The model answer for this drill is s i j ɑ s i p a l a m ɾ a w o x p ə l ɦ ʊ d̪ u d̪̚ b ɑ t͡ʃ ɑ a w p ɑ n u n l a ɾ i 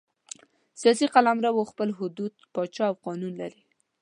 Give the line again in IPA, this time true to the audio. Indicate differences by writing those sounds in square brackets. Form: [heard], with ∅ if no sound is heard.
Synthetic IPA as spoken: s i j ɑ s i [q] a l a m ɾ a w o x p ə l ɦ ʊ d̪ u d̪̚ [p] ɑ t͡ʃ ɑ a w [q] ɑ n u n l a ɾ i